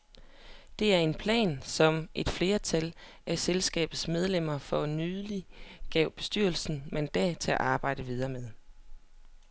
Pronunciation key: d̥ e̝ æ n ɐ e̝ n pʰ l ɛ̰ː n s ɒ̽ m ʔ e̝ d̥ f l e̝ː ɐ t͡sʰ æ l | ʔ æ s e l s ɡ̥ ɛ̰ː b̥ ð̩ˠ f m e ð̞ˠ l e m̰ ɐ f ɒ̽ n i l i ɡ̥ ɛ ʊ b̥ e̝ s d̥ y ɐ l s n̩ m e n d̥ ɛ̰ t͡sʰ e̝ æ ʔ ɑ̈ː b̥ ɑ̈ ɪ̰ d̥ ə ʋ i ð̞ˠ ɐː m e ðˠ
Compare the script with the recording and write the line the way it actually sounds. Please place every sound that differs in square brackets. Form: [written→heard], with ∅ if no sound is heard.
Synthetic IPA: d̥ e̝ æ [n→∅] ɐ e̝ n pʰ l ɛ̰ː n s ɒ̽ m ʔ e̝ d̥ f l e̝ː ɐ t͡sʰ æ l | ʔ æ s e l s ɡ̥ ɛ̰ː b̥ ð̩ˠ [f→s] m e ð̞ˠ l e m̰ ɐ f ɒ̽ n [i→y] l i ɡ̥ ɛ ʊ b̥ e̝ s d̥ y ɐ l s n̩ m e n d̥ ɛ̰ t͡sʰ e̝ æ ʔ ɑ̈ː b̥ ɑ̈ ɪ̰ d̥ ə ʋ i ð̞ˠ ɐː m e ðˠ

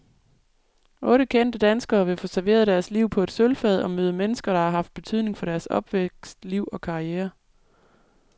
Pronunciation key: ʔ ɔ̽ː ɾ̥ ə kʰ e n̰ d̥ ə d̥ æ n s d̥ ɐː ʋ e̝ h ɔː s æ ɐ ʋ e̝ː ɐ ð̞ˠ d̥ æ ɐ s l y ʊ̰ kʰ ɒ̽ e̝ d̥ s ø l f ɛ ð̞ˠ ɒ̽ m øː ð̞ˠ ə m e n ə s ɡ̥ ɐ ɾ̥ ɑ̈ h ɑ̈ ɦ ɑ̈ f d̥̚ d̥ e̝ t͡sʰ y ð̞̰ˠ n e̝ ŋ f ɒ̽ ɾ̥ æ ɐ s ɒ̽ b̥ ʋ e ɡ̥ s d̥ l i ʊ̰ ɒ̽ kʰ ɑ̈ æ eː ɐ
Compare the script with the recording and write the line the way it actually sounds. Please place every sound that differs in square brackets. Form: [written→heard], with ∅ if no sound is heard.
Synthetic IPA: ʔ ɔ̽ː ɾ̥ ə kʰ e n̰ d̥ ə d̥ æ n s [d̥→ɡ̥] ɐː ʋ e̝ [h→f] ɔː s æ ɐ ʋ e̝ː ɐ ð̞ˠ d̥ æ ɐ s l [y→i] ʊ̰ [kʰ→pʰ] ɒ̽ e̝ d̥ s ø l f ɛ ð̞ˠ ɒ̽ m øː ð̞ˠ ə m e n ə s ɡ̥ ɐ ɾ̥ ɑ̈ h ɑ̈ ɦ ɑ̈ f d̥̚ [d̥→b̥] e̝ t͡sʰ y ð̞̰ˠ n e̝ ŋ f ɒ̽ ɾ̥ æ ɐ s ɒ̽ b̥ ʋ e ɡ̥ s d̥ l i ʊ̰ ɒ̽ kʰ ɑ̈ [æ→i] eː ɐ

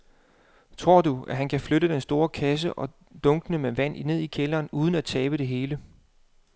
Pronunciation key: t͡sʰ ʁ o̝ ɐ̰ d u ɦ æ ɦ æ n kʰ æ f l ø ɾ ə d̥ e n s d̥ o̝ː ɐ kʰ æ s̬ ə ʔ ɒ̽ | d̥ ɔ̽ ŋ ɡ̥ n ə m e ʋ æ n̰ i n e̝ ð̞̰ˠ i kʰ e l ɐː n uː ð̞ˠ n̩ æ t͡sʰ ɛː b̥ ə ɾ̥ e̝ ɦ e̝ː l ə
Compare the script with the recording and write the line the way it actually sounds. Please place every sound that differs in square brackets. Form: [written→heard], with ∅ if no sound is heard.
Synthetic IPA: t͡sʰ ʁ o̝ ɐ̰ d u [ɦ→∅] æ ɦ æ n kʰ æ f l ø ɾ ə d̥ e n s d̥ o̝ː ɐ kʰ æ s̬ ə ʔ ɒ̽ | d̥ ɔ̽ ŋ ɡ̥ n ə m e ʋ æ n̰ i n e̝ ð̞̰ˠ i kʰ e l ɐː n uː ð̞ˠ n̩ æ t͡sʰ ɛː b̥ ə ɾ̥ e̝ ɦ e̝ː l ə

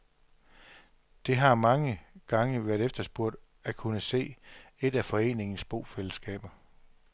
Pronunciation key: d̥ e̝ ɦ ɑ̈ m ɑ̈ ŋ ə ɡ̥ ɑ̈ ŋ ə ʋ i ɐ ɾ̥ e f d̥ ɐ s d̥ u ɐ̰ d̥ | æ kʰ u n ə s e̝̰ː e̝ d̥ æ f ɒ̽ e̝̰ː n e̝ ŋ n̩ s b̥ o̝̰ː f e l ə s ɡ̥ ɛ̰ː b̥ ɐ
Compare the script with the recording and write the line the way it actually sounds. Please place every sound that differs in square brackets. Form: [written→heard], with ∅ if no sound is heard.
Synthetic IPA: d̥ e̝ ɦ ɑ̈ m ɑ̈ ŋ ə ɡ̥ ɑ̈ ŋ ə ʋ [i→æ] ɐ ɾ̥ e f d̥ ɐ s [d̥→b̥] u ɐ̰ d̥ | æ kʰ u n ə s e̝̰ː e̝ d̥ æ f ɒ̽ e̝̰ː n e̝ ŋ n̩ s b̥ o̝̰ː f e l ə s ɡ̥ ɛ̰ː b̥ ɐ

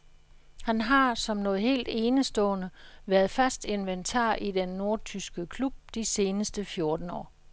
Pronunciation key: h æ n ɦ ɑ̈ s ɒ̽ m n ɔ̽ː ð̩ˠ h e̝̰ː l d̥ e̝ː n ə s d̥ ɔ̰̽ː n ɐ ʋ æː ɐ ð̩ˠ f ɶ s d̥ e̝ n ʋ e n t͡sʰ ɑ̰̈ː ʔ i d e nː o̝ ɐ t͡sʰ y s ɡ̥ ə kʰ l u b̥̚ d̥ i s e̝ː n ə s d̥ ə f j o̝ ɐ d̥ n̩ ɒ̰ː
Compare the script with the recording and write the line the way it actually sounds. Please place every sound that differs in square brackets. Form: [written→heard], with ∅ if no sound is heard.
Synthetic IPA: h æ n ɦ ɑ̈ s ɒ̽ m n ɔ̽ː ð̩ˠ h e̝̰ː l d̥ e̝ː n ə s d̥ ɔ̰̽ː n [ɐ→ə] ʋ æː ɐ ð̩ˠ f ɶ s d̥ e̝ n ʋ e n t͡sʰ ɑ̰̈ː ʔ i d e nː o̝ ɐ t͡sʰ y s ɡ̥ ə kʰ l u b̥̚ d̥ i s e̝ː n ə s d̥ ə f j o̝ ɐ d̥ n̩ ɒ̰ː

